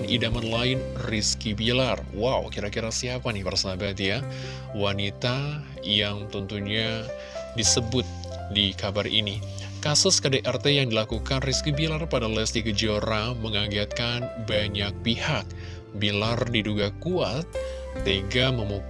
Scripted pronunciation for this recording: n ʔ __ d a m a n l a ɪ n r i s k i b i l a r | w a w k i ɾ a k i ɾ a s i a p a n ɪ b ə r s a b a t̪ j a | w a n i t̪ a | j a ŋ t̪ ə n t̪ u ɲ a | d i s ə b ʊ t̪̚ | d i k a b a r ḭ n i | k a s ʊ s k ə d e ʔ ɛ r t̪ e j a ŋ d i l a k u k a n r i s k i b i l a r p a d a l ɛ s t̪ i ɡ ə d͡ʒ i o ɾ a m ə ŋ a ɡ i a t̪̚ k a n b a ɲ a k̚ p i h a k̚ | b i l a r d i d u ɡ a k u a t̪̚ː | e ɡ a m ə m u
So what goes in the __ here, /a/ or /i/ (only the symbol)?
i